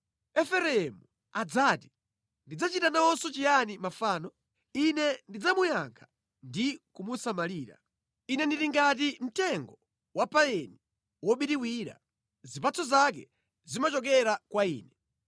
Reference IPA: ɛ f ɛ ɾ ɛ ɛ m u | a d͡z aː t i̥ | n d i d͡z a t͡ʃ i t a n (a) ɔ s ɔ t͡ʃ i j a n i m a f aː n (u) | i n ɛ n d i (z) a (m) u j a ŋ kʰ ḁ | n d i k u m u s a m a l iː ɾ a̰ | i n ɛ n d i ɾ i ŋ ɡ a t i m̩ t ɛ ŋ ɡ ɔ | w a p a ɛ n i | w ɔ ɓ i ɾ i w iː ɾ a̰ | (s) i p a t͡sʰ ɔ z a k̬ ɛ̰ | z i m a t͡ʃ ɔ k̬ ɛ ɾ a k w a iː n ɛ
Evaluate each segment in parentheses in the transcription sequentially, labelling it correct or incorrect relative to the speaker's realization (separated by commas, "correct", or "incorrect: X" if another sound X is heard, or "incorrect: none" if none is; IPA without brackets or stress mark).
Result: correct, incorrect: ɔ, incorrect: d͡z, correct, incorrect: z